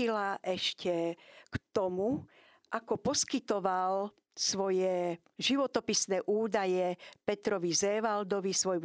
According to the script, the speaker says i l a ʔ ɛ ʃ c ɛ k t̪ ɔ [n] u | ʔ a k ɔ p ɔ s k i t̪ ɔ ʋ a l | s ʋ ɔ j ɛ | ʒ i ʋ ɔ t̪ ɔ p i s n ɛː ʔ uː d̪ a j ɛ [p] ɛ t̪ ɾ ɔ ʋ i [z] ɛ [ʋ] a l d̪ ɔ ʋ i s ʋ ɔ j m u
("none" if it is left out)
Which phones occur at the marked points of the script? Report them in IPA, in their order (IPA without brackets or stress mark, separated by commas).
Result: m, p, z, ʋ